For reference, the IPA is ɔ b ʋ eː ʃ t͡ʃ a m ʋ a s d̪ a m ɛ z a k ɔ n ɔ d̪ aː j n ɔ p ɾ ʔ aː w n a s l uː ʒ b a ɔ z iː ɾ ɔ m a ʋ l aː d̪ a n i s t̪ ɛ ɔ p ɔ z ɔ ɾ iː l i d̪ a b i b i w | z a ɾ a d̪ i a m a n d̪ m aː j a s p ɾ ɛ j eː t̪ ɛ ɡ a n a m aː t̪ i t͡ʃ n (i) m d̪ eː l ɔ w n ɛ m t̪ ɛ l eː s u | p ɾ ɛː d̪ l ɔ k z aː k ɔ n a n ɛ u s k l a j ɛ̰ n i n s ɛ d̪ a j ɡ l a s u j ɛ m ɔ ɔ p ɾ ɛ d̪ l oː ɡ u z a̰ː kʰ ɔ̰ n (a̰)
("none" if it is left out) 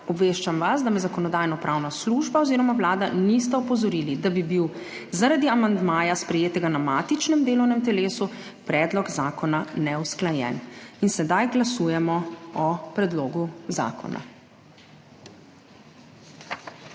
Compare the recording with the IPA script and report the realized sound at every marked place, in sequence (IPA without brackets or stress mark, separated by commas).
ɛ, a̰